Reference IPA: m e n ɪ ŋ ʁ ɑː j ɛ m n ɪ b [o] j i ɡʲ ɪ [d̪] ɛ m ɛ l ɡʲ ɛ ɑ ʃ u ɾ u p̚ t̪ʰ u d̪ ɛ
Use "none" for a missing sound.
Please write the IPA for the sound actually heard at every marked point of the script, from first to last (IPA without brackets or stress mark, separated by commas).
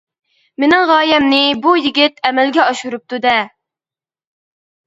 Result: u, t̪